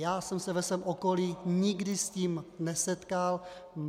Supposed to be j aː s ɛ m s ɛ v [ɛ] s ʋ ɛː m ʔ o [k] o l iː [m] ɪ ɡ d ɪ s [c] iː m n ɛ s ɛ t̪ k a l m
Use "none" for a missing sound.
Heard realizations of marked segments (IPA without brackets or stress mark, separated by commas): ɛ, k, ɲ, c